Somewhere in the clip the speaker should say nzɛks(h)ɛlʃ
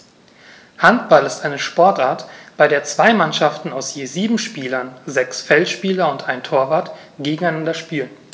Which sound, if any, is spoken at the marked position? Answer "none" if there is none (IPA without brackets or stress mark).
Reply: f